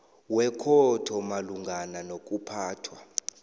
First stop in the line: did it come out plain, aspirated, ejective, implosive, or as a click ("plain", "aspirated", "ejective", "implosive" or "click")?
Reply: aspirated